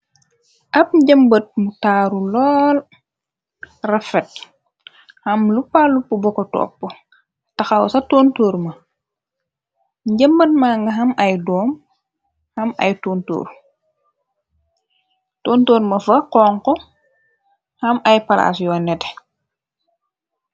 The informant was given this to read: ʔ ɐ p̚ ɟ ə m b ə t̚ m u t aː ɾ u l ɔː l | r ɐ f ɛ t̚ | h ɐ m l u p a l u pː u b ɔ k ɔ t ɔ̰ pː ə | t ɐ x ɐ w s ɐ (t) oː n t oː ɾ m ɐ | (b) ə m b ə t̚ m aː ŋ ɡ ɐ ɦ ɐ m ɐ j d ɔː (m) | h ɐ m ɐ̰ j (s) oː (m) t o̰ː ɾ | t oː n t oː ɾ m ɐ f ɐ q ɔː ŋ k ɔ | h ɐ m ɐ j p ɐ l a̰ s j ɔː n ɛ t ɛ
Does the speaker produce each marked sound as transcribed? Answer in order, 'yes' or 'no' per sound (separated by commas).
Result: yes, no, yes, no, no